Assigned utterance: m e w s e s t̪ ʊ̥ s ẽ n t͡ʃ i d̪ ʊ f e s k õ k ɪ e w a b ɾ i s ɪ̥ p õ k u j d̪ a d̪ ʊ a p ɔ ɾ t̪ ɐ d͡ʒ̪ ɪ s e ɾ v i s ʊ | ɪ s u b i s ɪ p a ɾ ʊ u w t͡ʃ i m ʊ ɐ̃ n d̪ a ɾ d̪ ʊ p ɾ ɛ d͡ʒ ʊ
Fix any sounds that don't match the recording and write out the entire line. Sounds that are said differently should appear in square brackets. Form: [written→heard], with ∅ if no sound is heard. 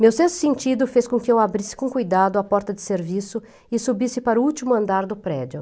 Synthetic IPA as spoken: m e w s e s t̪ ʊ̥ s ẽ n t͡ʃ i d̪ ʊ f e s k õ k ɪ e w a b ɾ i s ɪ̥ [p→k] õ k u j d̪ a d̪ ʊ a p ɔ ɾ t̪ ɐ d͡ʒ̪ ɪ s e ɾ v i s ʊ | ɪ s u b i s ɪ p a ɾ ʊ u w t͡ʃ i m ʊ ɐ̃ n d̪ a ɾ d̪ ʊ p ɾ ɛ d͡ʒ ʊ